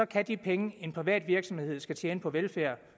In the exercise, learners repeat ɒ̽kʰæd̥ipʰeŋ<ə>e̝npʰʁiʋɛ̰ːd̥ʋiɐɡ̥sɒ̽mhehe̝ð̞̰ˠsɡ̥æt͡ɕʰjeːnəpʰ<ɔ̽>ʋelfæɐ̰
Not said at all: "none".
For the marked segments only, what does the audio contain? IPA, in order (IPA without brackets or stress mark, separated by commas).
ə, ɒ̽